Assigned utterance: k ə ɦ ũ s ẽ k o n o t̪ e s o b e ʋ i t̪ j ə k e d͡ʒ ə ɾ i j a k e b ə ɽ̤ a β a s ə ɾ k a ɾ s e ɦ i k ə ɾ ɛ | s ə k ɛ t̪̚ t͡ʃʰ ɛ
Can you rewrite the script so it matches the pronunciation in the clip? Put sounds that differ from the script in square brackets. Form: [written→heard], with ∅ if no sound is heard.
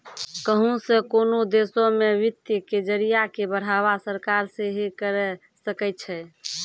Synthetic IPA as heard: k ə ɦ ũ s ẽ k o n o [t̪→d̪] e s o [b→m] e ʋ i t̪ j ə k e d͡ʒ ə ɾ i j a k e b ə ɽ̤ a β a s ə ɾ k a ɾ s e ɦ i k ə ɾ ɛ | s ə k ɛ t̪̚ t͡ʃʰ ɛ